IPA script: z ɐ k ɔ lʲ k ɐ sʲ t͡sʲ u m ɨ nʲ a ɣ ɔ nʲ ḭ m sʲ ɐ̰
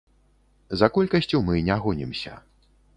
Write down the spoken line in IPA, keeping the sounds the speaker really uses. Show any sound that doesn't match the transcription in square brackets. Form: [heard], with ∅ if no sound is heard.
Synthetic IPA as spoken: z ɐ k ɔ lʲ k ɐ sʲ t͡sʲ u m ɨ nʲ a ɣ ɔ nʲ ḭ m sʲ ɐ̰